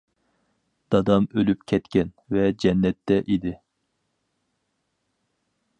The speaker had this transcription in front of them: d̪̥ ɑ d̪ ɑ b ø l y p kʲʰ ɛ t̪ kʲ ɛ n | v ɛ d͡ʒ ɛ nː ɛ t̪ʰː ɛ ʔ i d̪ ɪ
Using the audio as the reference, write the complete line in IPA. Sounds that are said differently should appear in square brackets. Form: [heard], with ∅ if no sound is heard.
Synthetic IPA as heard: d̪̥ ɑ d̪ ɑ [m] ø l y p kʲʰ ɛ t̪ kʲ ɛ n | v ɛ d͡ʒ ɛ nː ɛ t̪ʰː ɛ ʔ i d̪ ɪ

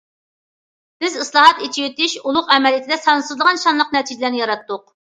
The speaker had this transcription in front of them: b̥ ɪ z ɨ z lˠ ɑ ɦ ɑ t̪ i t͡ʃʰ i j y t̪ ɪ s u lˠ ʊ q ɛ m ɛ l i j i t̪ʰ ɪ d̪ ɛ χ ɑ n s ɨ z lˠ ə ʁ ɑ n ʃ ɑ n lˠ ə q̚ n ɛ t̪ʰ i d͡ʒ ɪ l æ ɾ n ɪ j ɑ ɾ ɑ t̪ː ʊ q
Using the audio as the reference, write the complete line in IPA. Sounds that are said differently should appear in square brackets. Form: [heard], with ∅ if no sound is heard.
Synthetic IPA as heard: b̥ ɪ z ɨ [s] lˠ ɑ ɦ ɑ t̪ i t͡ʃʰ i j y t̪ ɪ [ʃ] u lˠ ʊ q ɛ m ɛ l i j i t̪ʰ ɪ d̪ ɛ [s] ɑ n s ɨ z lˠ ə ʁ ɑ n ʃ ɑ n lˠ ə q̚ n ɛ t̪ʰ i d͡ʒ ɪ l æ ɾ n ɪ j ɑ ɾ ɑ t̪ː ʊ q

